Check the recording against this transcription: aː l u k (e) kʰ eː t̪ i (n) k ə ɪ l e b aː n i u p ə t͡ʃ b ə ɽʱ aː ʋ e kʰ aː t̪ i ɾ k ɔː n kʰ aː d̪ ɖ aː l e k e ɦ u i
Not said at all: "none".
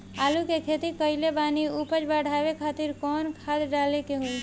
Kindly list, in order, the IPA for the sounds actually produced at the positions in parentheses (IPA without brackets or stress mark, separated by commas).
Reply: e, none